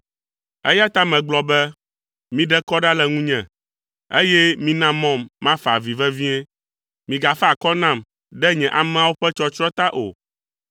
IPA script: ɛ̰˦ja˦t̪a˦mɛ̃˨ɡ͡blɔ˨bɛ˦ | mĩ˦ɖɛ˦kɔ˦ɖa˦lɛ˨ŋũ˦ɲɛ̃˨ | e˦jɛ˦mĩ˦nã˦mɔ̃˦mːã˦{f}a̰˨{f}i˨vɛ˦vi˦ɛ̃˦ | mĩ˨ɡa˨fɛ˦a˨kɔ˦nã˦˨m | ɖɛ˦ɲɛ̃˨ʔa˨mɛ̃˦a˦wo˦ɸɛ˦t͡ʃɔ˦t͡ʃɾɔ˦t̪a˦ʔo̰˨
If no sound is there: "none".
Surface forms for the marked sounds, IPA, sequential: f, v

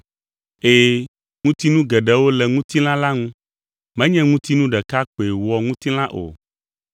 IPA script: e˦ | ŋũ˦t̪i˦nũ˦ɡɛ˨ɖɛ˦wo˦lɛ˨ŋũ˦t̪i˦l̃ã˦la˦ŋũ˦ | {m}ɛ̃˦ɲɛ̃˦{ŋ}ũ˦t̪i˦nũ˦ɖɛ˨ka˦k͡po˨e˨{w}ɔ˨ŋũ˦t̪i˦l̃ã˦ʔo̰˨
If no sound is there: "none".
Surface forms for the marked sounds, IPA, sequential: m, ŋ, w

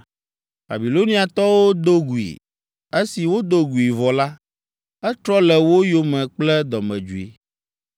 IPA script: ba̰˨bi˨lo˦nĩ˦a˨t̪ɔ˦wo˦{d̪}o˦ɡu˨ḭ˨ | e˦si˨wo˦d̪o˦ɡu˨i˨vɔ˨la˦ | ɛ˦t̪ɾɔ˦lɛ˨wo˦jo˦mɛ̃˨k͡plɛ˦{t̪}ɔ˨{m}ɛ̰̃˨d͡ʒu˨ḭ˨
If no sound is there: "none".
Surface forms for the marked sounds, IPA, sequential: d̪, d̪, m

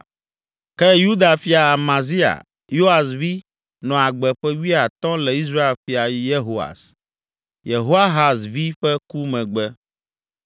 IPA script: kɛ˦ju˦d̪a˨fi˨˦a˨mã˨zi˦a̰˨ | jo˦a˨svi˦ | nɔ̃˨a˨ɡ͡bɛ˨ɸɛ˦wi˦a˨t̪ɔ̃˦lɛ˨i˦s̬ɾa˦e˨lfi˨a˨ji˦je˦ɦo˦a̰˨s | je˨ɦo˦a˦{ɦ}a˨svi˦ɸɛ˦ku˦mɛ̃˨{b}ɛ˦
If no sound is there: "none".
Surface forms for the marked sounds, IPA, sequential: ɦ, ɡ͡b

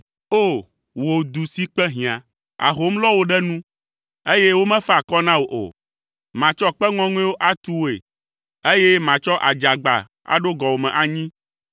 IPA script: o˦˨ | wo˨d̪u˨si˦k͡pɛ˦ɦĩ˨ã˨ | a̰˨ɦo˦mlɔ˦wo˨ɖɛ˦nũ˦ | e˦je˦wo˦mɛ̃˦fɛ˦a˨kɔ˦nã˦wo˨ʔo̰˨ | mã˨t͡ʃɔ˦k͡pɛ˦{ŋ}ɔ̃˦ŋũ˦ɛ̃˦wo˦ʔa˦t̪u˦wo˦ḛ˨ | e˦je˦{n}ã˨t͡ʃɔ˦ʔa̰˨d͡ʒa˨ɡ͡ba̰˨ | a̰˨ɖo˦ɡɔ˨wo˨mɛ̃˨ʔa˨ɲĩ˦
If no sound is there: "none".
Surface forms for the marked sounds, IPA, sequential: ŋ, m

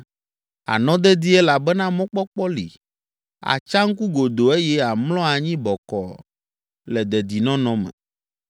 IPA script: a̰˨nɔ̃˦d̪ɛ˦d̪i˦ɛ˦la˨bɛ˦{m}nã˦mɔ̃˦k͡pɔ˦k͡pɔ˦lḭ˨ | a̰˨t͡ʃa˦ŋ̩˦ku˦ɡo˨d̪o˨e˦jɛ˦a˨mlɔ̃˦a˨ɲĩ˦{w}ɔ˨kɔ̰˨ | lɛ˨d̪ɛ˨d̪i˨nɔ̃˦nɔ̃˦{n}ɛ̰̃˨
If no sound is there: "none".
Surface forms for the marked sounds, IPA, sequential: none, b, m

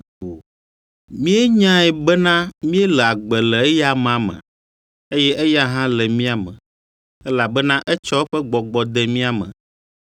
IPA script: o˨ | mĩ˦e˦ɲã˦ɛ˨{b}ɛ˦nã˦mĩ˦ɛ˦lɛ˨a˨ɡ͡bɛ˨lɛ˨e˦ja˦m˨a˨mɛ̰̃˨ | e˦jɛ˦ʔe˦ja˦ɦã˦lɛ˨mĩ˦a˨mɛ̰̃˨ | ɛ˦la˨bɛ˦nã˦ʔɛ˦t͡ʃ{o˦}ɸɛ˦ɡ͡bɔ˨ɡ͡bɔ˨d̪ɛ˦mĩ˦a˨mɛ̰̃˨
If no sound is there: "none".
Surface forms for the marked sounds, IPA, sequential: b, ɔ˦

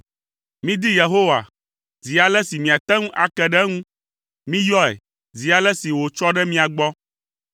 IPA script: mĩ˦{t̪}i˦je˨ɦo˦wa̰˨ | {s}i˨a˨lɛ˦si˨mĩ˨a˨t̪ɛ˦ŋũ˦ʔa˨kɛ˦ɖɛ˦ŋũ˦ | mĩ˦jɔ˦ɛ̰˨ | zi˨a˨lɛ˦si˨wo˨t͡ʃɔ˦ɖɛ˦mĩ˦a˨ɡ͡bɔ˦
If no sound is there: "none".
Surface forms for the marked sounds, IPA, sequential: d̪, z

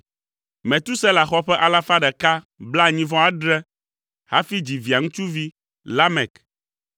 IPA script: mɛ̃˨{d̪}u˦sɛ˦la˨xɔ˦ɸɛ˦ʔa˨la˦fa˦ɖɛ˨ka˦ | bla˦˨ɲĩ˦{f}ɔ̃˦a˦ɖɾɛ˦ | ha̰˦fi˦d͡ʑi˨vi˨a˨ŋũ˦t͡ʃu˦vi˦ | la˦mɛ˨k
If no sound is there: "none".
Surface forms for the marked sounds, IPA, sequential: t̪, v

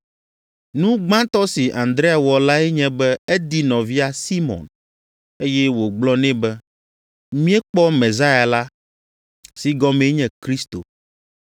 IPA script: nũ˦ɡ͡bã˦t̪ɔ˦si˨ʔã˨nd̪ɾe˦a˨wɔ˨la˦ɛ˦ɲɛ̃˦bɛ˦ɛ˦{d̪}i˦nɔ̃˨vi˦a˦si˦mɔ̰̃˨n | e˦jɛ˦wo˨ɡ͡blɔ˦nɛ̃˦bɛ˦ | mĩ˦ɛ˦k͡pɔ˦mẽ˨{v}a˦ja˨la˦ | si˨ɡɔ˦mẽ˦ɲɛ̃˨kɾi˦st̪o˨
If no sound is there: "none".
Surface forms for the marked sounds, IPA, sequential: d̪, z

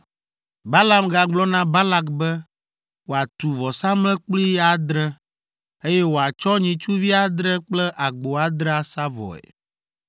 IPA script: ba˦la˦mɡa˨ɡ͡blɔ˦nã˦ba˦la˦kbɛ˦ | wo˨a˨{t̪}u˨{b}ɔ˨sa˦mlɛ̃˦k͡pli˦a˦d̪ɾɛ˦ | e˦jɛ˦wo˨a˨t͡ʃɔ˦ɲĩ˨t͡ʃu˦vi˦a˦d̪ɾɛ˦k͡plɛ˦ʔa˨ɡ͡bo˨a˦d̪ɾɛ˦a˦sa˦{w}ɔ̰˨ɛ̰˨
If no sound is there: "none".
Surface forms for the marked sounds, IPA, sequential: t̪, v, v

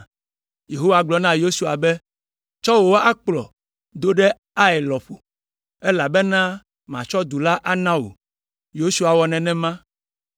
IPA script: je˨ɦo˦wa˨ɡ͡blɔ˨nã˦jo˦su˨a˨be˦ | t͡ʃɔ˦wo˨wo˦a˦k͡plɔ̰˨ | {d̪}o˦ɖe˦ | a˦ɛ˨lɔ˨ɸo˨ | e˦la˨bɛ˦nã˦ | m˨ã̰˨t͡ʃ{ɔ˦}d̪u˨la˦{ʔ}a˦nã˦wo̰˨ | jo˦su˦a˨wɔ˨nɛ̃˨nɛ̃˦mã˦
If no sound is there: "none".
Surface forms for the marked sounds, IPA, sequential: d̪, ɔ˦, ʔ

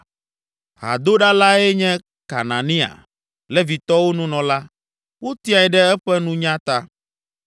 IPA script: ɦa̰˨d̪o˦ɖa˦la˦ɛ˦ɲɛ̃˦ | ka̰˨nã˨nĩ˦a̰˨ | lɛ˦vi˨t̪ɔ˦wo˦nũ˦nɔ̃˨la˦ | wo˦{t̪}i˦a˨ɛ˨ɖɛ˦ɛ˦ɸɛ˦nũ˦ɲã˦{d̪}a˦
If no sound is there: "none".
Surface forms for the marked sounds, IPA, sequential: t̪, t̪

